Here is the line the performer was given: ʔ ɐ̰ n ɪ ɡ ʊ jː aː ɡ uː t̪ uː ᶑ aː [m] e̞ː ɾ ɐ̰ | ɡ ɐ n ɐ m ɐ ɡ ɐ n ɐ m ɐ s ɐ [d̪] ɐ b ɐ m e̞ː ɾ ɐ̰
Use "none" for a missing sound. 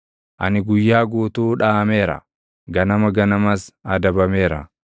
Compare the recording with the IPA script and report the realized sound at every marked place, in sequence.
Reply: m, d̪

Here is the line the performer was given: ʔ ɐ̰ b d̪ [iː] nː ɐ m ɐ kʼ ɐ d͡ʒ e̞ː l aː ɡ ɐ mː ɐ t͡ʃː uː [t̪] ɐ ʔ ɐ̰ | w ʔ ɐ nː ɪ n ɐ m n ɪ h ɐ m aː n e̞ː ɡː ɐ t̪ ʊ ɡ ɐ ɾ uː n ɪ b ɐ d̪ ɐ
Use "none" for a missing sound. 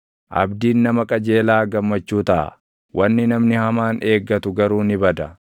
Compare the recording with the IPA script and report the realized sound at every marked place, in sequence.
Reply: iː, t̪

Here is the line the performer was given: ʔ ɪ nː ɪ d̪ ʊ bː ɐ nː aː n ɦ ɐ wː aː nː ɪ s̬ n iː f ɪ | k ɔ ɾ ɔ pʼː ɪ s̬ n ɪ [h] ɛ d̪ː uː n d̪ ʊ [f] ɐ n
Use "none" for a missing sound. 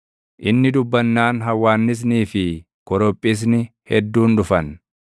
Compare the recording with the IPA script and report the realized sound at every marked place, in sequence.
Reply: h, f

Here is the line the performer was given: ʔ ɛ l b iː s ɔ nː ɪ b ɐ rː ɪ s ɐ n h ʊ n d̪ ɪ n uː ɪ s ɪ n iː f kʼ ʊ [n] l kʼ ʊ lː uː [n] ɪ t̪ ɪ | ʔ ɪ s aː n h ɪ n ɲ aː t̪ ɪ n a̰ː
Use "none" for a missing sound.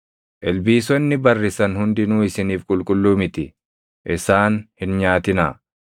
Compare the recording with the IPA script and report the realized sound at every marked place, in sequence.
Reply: none, m

